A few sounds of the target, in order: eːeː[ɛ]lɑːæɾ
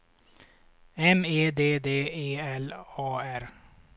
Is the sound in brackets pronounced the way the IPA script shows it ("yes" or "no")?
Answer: yes